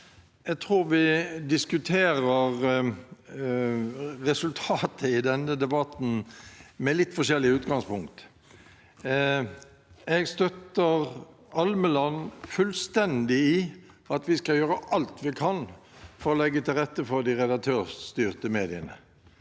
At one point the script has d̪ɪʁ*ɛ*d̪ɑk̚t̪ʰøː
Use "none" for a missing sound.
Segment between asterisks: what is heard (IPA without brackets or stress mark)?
ɛ